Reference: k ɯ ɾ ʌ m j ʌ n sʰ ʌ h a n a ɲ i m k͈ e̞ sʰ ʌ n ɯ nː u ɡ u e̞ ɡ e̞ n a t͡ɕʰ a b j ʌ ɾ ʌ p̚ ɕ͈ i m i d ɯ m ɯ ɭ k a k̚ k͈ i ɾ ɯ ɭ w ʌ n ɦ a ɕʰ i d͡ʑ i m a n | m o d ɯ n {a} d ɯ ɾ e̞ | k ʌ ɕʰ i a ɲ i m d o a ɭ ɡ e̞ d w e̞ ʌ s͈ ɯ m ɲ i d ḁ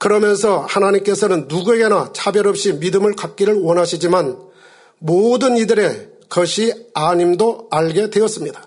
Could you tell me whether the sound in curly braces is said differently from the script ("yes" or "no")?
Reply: yes